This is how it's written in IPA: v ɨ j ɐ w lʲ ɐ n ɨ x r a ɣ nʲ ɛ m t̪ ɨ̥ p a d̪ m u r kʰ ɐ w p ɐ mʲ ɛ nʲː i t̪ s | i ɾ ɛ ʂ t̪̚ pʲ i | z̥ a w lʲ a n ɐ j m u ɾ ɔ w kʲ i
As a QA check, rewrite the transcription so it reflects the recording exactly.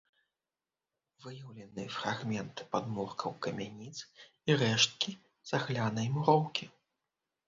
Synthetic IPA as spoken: v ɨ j ɐ w lʲ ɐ n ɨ f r a ɣ mʲ ɛ n t̪ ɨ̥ p a d̪ m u r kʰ ɐ w k ɐ mʲ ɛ nʲ i t̪ s | i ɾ ɛ ʂ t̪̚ kʲ i | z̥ a ɣ lʲ a n ɐ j m u ɾ ɔ w kʲ i

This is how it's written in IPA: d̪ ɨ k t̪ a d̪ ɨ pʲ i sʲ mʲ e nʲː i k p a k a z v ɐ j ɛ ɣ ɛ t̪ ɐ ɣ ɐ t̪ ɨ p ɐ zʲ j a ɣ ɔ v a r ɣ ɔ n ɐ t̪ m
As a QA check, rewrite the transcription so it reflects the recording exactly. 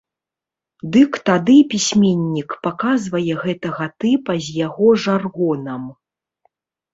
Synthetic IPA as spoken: d̪ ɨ k t̪ a d̪ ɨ pʲ i sʲ mʲ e nʲː i k p a k a z v ɐ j ɛ ɣ ɛ t̪ ɐ ɣ ɐ t̪ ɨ p ɐ zʲ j a ɣ ɔ ʐ a r ɣ ɔ n ɐ m

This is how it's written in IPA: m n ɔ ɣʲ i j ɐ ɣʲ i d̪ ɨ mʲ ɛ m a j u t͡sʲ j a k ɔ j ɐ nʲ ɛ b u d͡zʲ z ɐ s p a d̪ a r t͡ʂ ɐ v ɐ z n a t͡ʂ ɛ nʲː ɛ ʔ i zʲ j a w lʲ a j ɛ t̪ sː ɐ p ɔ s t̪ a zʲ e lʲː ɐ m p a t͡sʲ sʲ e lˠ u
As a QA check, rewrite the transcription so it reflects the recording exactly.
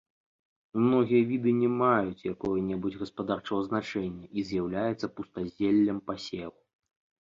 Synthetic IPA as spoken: m n ɔ ɣʲ i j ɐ vʲ i d̪ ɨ nʲ ɛ m a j u t͡sʲ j a k ɔ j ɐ nʲ ɛ b u d͡zʲ ɣ ɐ s p a d̪ a r t͡ʂ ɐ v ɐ z n a t͡ʂ ɛ nʲː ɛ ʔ i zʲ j a w lʲ a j ɛ t̪ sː ɐ p u s t̪ a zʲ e lʲː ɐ m p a sʲ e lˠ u

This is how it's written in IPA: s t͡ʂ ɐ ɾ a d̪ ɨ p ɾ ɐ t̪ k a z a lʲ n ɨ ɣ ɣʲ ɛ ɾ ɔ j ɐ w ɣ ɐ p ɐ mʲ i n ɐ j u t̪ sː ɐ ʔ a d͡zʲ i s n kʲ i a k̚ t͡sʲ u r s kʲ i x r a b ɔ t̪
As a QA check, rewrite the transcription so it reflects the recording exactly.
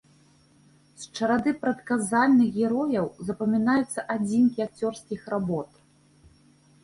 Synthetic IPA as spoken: s t͡ʂ ɐ ɾ a d̪ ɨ p ɾ ɐ t̪ k a z a lʲ n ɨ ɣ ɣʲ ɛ ɾ ɔ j ɐ w z ɐ p ɐ mʲ i n a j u t̪ sː ɐ ʔ a d͡zʲ i n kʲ i a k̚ t͡sʲ ɔ r s kʲ i x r a b ɔ t̪

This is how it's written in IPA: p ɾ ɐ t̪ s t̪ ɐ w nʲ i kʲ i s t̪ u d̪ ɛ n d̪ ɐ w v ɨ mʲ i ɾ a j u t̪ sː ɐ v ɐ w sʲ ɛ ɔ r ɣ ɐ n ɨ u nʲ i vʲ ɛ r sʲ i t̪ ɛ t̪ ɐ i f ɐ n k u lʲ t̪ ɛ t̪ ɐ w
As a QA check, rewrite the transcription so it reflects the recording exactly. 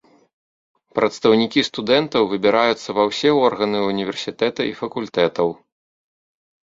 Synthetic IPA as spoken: p ɾ ɐ t̪ s t̪ ɐ w nʲ i kʲ i s t̪ u d̪ ɛ n t̪ ɐ w v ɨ bʲ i ɾ a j u t̪ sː ɐ v ɐ w sʲ ɛ ɔ r ɣ ɐ n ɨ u nʲ i vʲ ɛ r sʲ i t̪ ɛ t̪ ɐ i f ɐ k u lʲ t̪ ɛ t̪ ɐ w

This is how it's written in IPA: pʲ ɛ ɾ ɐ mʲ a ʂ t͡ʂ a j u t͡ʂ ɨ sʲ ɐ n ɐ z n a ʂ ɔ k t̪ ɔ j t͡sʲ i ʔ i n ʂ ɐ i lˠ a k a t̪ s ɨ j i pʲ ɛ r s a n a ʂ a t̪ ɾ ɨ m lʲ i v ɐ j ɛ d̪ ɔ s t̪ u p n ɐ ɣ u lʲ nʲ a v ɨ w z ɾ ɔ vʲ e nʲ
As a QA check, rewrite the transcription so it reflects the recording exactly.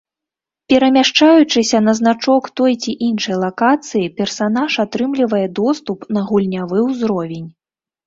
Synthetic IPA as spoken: pʲ ɛ ɾ ɐ mʲ a ʂ t͡ʂ a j u t͡ʂ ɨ sʲ ɐ n ɐ z n a t͡ʂ ɔ k t̪ ɔ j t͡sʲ i ʔ i n ʂ ɐ j lˠ a k a t̪ s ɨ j i pʲ ɛ r s a n a ʂ a t̪ ɾ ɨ m lʲ i v ɐ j ɛ d̪ ɔ s t̪ u p n ɐ ɣ u lʲ nʲ a v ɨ w z ɾ ɔ vʲ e nʲ

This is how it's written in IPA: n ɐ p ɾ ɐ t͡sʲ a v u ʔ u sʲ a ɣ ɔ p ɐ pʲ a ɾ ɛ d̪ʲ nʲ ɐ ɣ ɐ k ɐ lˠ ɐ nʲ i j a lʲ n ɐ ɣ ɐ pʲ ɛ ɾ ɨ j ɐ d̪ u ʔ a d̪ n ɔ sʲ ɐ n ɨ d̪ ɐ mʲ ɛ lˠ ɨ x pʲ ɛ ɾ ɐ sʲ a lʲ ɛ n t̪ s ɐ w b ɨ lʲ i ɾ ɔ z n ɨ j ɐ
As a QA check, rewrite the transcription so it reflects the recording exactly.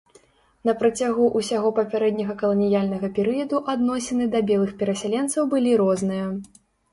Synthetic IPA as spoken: n ɐ p ɾ ɐ t͡sʲ a ɣ u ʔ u sʲ a ɣ ɔ p ɐ pʲ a ɾ ɛ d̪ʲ nʲ ɐ ɣ ɐ k ɐ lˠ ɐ nʲ i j a lʲ n ɐ ɣ ɐ pʲ ɛ ɾ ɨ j ɐ d̪ u ʔ a d̪ n ɔ sʲ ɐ n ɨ d̪ ɐ bʲ ɛ lˠ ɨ x pʲ ɛ ɾ ɐ sʲ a lʲ ɛ n t̪ s ɐ w b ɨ lʲ i ɾ ɔ z n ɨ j ɐ

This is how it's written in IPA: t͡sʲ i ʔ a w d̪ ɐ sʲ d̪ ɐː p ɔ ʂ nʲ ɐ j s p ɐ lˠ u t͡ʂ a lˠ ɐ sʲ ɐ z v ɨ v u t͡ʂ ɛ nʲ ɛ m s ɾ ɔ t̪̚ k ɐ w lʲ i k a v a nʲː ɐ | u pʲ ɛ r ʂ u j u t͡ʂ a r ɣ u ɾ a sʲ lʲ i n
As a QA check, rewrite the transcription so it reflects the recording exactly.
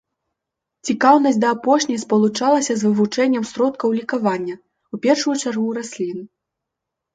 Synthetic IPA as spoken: t͡sʲ i k a w n̪ ɐ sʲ d̪ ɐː p ɔ ʂ nʲ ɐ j s p ɐ lˠ u t͡ʂ a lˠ ɐ sʲ ɐ z v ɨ v u t͡ʂ ɛ nʲː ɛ m s ɾ ɔ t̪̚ k ɐ w lʲ i k a v a nʲː ɐ | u pʲ ɛ r ʂ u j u t͡ʂ a r ɣ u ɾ a sʲ lʲ i n

